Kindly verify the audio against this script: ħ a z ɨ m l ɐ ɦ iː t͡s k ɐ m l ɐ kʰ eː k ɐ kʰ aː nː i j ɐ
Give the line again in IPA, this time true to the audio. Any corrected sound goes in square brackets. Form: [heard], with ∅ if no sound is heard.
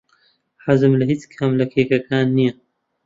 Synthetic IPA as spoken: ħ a z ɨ m l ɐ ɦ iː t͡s [kʰ] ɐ m l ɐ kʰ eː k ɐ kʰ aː nː i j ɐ